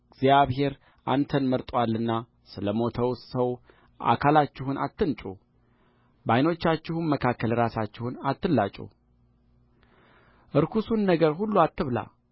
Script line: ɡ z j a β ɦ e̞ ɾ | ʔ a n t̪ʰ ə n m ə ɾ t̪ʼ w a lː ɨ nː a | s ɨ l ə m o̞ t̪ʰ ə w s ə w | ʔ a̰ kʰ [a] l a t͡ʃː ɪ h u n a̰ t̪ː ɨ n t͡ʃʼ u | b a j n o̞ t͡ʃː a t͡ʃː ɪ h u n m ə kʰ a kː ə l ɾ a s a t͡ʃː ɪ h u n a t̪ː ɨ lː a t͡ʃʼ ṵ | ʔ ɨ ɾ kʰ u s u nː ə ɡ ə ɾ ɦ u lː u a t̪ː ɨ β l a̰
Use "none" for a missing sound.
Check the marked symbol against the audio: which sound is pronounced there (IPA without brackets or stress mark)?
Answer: a